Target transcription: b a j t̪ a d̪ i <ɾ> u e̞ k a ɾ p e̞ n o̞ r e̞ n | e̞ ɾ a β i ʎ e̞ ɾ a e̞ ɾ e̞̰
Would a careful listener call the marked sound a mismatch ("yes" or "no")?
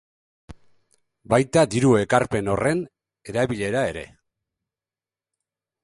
no